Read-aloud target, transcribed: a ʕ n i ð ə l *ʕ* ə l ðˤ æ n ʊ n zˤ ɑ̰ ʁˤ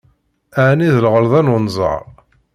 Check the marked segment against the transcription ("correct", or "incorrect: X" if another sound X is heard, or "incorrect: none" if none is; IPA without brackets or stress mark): incorrect: ʁ